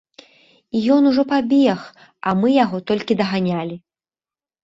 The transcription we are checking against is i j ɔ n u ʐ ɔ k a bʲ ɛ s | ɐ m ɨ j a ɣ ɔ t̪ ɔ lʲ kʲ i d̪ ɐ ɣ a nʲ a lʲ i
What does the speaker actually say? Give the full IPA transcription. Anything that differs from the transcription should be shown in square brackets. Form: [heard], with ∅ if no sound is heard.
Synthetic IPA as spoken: i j ɔ n u ʐ ɔ [p] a bʲ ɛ [x] | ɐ m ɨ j a ɣ ɔ t̪ ɔ lʲ kʲ i d̪ ɐ ɣ a nʲ a lʲ i